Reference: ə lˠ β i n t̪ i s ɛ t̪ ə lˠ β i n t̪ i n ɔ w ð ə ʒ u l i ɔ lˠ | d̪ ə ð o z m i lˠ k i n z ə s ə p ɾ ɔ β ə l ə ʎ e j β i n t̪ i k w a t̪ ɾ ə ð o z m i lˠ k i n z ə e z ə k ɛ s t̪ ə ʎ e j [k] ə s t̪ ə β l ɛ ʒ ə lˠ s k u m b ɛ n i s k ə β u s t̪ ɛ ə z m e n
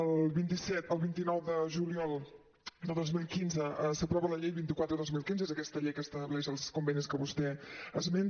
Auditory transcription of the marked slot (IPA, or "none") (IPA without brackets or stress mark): k